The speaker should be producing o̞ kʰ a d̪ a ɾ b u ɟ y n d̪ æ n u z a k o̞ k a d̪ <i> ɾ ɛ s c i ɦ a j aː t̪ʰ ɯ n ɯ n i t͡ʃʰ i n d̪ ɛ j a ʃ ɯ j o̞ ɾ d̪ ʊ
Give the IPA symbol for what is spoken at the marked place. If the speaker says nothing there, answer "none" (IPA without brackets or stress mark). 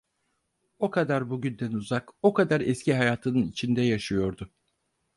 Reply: a